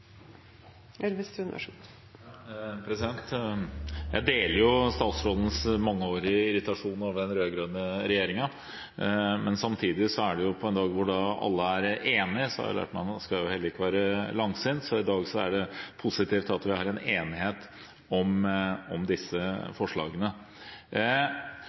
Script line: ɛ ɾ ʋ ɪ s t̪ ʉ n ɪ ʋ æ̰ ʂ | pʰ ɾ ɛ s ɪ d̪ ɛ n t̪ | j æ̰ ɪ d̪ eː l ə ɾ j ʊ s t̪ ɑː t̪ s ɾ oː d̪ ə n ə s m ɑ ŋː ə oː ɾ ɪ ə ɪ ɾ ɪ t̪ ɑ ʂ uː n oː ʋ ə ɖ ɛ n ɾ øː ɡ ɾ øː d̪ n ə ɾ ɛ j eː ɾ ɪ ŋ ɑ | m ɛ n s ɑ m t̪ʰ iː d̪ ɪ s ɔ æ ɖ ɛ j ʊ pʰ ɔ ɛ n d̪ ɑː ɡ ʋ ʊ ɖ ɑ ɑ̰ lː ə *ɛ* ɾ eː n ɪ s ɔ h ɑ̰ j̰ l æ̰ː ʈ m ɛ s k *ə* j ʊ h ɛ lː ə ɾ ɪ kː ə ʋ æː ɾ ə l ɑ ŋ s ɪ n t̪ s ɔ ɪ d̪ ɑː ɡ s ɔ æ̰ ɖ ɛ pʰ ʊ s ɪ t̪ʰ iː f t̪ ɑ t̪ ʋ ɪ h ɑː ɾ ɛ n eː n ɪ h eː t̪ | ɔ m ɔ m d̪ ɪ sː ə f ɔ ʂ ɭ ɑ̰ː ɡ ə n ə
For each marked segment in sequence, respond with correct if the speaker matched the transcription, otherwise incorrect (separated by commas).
incorrect, incorrect